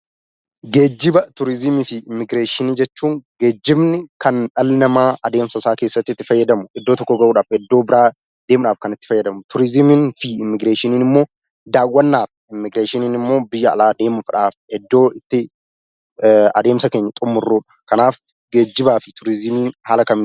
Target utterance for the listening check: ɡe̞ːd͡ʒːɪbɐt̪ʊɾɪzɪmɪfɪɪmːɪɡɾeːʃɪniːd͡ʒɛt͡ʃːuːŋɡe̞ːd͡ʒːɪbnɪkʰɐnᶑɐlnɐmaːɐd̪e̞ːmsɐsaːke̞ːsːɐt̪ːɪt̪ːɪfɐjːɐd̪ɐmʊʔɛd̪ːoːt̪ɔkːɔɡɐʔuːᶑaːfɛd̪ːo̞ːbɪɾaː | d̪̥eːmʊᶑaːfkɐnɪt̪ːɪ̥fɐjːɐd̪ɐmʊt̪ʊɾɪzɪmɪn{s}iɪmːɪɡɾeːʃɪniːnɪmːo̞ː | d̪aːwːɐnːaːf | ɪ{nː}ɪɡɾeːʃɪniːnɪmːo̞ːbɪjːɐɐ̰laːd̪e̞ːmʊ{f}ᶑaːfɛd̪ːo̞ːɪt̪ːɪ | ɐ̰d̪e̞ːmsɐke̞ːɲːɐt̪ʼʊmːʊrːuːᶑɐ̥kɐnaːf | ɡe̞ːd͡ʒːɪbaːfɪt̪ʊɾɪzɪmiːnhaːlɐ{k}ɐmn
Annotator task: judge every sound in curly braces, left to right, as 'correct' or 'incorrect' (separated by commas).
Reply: incorrect, incorrect, correct, correct